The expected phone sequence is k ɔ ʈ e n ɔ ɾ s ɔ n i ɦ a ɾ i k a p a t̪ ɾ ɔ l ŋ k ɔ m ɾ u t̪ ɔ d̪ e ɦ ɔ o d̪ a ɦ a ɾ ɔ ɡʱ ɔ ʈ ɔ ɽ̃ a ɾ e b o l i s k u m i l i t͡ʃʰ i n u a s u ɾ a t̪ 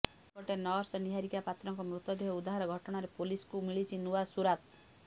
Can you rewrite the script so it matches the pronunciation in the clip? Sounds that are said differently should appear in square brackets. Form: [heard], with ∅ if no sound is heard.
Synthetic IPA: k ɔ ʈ e n ɔ ɾ s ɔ n i ɦ a ɾ i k a p a t̪ ɾ ɔ [∅] ŋ k ɔ m ɾ u t̪ ɔ d̪ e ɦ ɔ [u] d̪ a ɦ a ɾ ɔ ɡʱ ɔ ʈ ɔ ɽ̃ a ɾ e [p] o l i s k u m i [ɭ] i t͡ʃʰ i n u a s u ɾ a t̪